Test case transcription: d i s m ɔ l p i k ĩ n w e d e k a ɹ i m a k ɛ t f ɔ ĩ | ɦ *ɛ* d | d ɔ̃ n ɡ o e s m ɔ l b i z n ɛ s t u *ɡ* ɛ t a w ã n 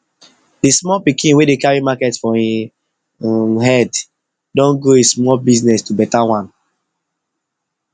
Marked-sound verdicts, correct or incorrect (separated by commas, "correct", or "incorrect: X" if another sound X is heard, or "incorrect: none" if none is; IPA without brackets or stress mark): correct, incorrect: b